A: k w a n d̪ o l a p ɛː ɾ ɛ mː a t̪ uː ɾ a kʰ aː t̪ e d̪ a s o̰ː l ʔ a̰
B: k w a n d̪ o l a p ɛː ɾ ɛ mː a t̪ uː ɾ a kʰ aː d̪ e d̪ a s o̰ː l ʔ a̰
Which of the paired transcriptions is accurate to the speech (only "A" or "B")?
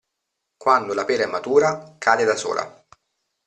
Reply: B